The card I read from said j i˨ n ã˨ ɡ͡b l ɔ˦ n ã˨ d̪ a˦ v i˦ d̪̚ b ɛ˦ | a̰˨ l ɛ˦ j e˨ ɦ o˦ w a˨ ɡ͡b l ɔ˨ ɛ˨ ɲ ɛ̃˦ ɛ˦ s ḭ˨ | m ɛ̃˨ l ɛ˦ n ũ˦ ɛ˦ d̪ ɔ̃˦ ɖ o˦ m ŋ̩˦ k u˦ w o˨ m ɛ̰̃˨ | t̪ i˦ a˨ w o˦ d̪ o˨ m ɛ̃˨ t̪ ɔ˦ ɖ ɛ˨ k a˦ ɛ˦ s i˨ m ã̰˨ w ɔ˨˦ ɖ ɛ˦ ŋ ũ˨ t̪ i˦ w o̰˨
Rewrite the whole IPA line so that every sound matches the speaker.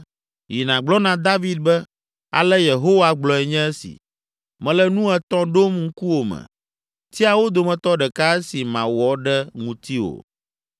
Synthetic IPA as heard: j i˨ n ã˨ ɡ͡b l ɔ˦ n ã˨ d̪ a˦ v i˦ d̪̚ b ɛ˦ | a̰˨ l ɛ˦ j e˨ ɦ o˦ w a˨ ɡ͡b l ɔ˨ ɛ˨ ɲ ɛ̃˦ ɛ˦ s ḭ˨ | m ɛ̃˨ l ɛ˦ n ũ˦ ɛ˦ t̪ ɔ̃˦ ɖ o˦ m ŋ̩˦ k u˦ w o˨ m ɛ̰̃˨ | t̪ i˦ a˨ w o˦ d̪ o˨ m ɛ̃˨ t̪ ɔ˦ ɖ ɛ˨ k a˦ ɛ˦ s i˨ m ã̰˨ w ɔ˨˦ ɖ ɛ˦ ŋ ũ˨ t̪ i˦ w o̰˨